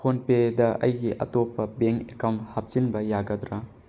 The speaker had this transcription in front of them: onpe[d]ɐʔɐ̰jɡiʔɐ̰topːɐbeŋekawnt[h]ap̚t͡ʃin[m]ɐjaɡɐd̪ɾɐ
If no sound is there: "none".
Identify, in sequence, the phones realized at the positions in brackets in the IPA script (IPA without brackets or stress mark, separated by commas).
d, h, b